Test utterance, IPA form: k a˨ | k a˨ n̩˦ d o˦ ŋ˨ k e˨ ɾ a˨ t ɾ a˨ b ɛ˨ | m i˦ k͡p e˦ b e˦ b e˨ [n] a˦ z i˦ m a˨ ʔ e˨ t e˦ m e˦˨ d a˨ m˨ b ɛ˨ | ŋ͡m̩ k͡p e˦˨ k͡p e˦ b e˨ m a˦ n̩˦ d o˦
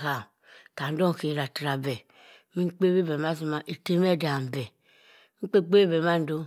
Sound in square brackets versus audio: incorrect: m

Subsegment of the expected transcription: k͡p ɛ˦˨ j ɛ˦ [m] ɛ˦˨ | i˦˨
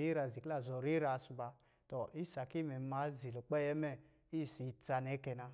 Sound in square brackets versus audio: correct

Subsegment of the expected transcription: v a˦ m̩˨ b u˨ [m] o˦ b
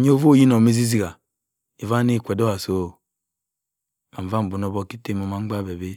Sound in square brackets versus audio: incorrect: n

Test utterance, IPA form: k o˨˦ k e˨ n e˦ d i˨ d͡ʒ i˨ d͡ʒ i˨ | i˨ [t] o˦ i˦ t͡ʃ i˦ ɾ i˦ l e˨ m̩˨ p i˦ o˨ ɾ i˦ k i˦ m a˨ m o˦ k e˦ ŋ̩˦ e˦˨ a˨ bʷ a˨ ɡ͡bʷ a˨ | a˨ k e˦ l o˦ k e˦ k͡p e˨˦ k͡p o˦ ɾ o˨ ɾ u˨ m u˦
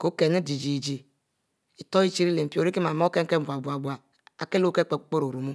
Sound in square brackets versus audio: correct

